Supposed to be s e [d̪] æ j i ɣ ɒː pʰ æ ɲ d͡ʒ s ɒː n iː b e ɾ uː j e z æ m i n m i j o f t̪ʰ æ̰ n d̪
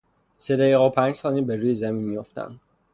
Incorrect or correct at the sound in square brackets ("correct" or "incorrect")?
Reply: correct